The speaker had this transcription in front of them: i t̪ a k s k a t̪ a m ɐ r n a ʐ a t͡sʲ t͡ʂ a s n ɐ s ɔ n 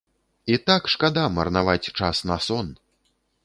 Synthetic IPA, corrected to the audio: i t̪ a k ʂ k a d̪ a m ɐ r n a v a t͡sʲ t͡ʂ a s n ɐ s ɔ n